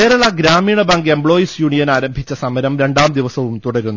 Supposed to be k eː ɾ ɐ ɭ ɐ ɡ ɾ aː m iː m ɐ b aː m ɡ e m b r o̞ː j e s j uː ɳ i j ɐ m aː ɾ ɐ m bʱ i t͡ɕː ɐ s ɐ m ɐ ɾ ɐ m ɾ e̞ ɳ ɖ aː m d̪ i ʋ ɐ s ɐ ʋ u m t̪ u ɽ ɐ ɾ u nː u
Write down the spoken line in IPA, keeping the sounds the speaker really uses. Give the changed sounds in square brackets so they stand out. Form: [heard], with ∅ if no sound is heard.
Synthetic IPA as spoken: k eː ɾ ɐ ɭ ɐ ɡ ɾ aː m iː [ɳ] ɐ b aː [ŋ] ɡ e m b [ɭ] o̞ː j [i] s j uː ɳ i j ɐ [n] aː ɾ ɐ m bʱ i t͡ɕː ɐ s ɐ m ɐ ɾ ɐ m ɾ e̞ ɳ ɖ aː m d̪ i ʋ ɐ s ɐ ʋ u m t̪ u ɽ ɐ ɾ u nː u